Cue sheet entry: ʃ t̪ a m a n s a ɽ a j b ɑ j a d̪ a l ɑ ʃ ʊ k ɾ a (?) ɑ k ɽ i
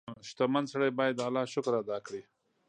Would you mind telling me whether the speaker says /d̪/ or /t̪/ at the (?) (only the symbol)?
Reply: d̪